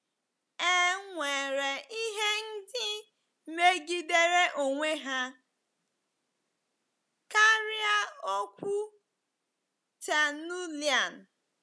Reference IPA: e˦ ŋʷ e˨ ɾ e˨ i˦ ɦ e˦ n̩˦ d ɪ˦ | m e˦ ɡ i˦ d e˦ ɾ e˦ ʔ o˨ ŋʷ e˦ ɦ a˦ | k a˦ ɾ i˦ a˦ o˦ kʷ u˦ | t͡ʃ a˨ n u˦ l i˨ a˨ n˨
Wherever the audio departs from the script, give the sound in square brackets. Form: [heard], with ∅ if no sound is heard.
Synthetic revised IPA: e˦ ŋʷ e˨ ɾ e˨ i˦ ɦ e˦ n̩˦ d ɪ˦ | m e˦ ɡ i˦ d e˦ ɾ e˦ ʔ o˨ ŋʷ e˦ ɦ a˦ | k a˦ ɾ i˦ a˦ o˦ kʷ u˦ | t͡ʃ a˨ n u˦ l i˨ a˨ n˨